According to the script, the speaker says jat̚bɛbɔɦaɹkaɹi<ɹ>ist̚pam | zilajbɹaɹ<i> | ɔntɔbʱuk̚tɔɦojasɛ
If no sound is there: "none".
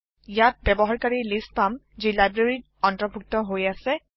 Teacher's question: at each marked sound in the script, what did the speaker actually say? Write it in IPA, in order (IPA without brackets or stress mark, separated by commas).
l, i